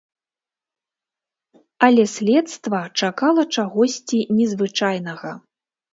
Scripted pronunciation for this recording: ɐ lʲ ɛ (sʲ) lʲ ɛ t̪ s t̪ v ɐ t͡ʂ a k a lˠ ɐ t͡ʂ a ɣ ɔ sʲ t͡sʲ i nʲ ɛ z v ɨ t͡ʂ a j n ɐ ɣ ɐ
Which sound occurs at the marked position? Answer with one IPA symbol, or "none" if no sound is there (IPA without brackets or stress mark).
sʲ